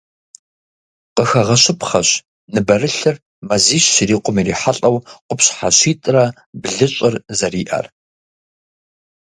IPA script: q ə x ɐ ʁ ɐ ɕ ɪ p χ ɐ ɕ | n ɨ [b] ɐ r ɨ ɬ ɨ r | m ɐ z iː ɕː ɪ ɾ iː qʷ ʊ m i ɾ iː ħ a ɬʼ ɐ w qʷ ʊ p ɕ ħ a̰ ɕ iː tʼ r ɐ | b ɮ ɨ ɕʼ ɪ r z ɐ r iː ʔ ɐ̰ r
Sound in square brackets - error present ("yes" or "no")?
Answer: no